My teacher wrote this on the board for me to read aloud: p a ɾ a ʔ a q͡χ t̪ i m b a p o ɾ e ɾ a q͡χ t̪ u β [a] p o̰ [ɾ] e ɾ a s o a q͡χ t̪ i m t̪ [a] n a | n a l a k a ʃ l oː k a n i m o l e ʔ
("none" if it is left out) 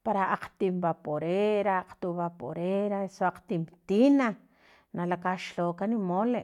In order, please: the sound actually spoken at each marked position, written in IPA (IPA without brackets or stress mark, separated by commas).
a, ɾ, i